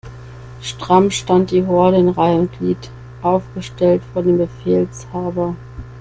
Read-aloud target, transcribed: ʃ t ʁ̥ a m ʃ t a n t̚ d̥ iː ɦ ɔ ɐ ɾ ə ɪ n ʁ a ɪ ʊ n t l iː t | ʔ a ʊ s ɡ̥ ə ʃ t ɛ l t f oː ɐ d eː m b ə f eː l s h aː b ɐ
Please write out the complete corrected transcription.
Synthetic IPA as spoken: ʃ t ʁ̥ a m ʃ t a n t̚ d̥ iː ɦ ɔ ɐ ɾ ə ɪ n ʁ a ɪ ʊ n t l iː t | ʔ a ʊ f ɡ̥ ə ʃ t ɛ l t f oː ɐ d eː m b ə f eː l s h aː b ɐ